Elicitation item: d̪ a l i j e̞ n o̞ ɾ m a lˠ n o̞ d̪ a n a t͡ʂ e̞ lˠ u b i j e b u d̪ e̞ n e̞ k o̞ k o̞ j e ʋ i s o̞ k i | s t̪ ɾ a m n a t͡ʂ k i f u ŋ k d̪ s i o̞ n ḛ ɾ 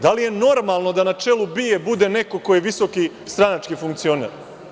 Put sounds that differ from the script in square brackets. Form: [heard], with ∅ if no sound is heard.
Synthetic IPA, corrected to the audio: d̪ a l i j e̞ n o̞ ɾ m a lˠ n o̞ d̪ a n a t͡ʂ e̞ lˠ u b i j e b u d̪ e̞ n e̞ k o̞ k o̞ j e ʋ i s o̞ k i | s t̪ ɾ a [∅] n a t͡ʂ k i f u ŋ k [t̪] s i o̞ n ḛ ɾ